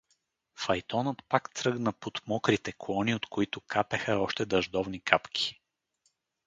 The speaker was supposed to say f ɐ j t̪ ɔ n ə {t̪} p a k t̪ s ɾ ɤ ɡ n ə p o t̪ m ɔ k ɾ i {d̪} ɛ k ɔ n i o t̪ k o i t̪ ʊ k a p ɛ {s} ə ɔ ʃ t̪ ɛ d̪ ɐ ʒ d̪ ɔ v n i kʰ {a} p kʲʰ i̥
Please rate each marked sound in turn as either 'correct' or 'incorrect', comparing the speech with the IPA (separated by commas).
correct, incorrect, incorrect, correct